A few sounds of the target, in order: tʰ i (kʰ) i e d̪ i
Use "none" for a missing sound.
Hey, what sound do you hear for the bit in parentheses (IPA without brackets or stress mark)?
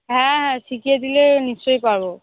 k